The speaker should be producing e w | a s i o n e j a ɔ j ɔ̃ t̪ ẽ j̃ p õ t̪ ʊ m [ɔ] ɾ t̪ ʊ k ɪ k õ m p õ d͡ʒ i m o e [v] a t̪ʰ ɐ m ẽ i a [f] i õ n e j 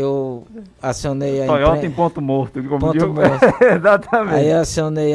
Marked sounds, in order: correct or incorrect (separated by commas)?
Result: incorrect, incorrect, incorrect